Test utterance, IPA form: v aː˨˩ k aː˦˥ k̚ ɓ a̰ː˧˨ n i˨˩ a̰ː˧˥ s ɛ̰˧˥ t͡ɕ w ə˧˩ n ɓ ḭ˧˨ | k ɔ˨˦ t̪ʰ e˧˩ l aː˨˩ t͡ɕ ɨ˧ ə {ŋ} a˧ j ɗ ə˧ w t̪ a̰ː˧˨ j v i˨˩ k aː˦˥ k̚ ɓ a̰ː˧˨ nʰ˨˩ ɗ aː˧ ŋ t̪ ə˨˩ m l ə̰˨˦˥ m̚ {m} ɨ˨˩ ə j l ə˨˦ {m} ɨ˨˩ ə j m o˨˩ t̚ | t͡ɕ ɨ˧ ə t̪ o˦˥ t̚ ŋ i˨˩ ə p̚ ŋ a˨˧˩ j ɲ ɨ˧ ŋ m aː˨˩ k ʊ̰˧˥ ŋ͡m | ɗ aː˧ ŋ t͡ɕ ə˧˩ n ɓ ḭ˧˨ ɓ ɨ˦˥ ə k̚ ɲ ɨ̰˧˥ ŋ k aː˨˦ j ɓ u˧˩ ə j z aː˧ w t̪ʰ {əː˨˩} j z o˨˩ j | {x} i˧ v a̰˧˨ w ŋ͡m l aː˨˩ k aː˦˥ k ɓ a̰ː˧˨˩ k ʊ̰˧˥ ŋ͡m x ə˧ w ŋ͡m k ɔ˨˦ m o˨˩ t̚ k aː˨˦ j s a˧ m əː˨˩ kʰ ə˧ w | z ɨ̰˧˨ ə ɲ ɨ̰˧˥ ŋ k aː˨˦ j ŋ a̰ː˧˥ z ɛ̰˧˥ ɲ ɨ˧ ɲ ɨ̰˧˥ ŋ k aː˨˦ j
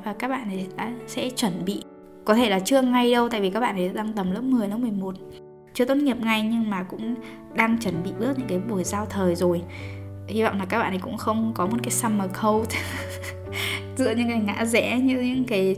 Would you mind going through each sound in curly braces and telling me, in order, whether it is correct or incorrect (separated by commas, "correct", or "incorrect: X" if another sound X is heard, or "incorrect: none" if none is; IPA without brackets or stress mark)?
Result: correct, correct, correct, correct, incorrect: h